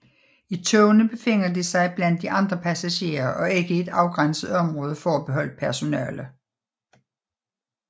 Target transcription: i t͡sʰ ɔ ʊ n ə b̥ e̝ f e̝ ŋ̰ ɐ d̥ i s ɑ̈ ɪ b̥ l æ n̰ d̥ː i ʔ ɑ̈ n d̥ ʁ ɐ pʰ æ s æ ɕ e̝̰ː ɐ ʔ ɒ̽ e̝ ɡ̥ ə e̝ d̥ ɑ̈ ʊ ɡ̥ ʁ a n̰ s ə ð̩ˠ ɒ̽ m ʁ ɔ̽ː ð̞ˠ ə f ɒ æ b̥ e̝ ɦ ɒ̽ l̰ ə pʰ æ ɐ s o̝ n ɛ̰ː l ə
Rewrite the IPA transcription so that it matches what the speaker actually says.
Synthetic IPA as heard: i t͡sʰ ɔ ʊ n ə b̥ e̝ f e̝ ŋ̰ ɐ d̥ i s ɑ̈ ɪ b̥ l æ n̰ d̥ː i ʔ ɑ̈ n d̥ ʁ ɐ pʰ æ s æ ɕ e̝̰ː ɐ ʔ ɒ̽ e̝ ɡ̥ ə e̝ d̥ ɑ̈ ʊ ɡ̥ ʁ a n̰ s ə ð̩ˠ ɒ̽ m ʁ ɔ̽ː ð̞ˠ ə f ɒ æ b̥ e̝ ɦ ɒ̽ l̰ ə pʰ æ ɐ s o̝ n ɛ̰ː l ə